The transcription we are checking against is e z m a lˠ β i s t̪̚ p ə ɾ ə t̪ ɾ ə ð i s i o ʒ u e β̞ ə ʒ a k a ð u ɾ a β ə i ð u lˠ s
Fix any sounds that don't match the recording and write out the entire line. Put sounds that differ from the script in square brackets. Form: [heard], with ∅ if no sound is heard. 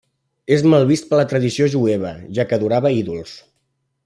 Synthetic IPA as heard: e z m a lˠ β i s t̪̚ p ə [l] ə t̪ ɾ ə ð i s i o ʒ u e β̞ ə ʒ a k [ə] ð u ɾ a β ə i ð u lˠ s